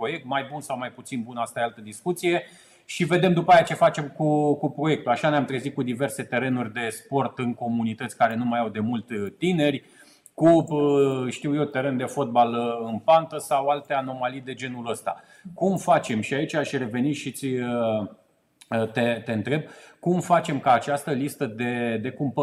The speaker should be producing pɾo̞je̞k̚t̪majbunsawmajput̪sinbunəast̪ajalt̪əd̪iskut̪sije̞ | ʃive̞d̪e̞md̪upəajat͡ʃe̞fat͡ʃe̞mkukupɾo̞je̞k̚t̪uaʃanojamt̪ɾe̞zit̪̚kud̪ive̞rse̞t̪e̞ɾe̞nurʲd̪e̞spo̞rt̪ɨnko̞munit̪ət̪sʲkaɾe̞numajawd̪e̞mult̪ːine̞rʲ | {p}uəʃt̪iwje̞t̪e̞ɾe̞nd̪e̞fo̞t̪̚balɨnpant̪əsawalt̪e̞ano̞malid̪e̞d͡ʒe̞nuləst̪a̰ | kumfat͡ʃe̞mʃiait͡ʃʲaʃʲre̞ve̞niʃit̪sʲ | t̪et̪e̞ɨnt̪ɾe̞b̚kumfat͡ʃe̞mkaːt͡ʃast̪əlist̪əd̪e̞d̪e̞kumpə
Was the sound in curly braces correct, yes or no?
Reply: no